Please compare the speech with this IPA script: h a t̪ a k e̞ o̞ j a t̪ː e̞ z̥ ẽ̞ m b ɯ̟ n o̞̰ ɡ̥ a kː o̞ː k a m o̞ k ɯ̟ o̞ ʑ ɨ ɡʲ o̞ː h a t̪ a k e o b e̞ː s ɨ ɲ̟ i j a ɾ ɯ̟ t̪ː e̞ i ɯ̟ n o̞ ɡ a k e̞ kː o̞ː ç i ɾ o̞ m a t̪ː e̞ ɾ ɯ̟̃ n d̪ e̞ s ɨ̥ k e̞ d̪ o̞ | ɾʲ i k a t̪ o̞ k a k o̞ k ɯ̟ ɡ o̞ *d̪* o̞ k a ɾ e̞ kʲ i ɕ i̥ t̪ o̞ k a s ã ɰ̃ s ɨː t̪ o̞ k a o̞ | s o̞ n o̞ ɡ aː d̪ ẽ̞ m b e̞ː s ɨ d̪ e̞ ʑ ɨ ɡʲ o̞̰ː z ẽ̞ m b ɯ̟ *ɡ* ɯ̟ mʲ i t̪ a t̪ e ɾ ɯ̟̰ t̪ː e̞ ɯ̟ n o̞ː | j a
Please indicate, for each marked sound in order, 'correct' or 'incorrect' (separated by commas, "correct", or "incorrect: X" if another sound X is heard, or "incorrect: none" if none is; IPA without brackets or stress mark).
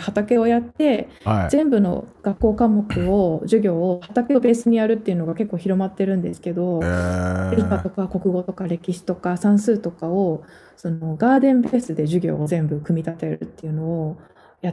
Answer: incorrect: t̪, incorrect: k